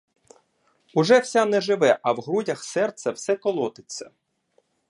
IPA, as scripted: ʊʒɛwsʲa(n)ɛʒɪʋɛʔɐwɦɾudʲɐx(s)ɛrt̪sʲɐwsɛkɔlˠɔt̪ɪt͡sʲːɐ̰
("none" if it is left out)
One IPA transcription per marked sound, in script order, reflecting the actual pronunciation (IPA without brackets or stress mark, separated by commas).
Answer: n, s